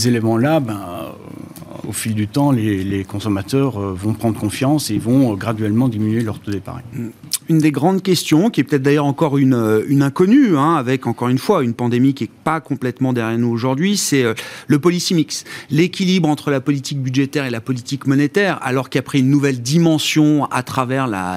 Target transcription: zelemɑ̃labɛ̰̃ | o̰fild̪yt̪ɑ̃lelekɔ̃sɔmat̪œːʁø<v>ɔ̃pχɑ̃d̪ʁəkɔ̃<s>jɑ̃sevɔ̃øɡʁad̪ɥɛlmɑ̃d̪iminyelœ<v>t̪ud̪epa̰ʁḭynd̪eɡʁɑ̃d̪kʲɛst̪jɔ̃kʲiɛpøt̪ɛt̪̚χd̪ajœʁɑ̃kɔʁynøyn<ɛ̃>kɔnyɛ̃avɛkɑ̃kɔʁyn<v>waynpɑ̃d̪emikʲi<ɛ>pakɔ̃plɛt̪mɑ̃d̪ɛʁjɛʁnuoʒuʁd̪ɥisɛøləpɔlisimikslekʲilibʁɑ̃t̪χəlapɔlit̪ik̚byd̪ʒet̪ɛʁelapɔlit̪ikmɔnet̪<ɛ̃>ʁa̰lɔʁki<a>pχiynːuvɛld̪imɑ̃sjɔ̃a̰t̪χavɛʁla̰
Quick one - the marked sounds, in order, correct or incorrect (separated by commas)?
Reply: correct, incorrect, incorrect, correct, incorrect, correct, incorrect, correct